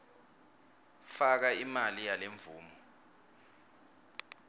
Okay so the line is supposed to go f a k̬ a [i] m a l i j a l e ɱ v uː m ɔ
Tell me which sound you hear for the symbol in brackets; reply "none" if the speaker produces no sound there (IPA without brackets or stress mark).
i